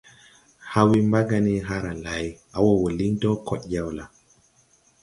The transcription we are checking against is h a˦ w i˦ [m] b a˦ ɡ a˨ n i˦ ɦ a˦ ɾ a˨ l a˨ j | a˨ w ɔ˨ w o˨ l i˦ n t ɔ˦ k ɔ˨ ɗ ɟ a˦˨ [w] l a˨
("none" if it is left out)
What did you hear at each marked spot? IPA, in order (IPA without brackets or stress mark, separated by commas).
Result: m, w